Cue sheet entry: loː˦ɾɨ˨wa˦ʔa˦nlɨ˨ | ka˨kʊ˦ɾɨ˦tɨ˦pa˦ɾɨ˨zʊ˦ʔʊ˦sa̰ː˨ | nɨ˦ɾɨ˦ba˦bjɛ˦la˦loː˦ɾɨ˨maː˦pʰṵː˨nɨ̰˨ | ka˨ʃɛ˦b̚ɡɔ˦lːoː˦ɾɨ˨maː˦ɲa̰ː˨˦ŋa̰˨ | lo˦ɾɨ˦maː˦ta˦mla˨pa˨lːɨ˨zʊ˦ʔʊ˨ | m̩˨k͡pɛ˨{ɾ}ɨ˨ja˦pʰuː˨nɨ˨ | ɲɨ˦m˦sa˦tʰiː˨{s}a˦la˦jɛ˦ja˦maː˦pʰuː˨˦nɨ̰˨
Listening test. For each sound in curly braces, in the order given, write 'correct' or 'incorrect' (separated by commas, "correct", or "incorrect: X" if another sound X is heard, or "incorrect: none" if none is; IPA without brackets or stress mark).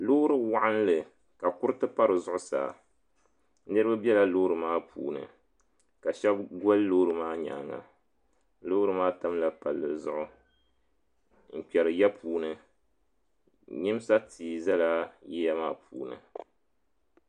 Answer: correct, incorrect: z